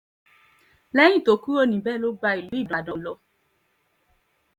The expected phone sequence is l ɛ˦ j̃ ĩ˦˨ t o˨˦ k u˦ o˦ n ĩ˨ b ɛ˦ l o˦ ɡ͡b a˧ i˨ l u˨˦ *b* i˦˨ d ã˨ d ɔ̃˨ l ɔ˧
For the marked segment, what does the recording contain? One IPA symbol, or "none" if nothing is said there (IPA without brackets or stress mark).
none